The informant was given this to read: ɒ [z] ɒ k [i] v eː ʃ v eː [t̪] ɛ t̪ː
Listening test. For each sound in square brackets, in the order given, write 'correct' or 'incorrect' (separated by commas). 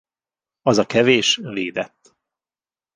correct, incorrect, incorrect